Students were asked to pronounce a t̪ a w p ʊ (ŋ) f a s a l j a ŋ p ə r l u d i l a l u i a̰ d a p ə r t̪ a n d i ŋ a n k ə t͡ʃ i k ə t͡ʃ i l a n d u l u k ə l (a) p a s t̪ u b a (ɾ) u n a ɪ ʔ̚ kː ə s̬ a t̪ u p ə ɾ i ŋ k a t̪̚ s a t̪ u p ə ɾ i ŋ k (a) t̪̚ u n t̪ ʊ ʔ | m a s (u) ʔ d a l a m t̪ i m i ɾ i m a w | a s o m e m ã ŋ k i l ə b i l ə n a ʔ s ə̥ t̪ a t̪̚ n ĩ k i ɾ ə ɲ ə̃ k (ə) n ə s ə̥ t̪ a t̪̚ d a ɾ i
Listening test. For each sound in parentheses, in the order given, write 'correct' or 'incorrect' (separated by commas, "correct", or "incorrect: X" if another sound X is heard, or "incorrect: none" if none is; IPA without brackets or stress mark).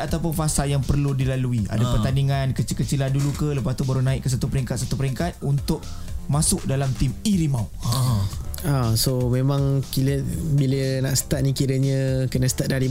incorrect: n, incorrect: ə, correct, correct, incorrect: ʊ, correct